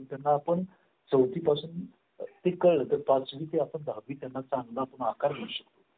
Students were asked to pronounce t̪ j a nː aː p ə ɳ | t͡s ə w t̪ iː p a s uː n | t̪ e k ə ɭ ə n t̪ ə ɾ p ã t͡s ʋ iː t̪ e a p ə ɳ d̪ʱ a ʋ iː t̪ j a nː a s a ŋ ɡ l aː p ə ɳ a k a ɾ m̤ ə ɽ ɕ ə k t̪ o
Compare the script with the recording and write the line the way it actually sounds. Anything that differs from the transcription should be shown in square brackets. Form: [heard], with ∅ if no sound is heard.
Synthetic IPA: t̪ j a nː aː p ə ɳ | t͡s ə w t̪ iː p a s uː n | t̪ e k ə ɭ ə [∅] t̪ ə ɾ p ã t͡s ʋ iː t̪ e a p ə ɳ d̪ʱ a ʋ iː t̪ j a nː a [t͡s] a ŋ ɡ l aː p ə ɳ a k a ɾ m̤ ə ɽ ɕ ə k t̪ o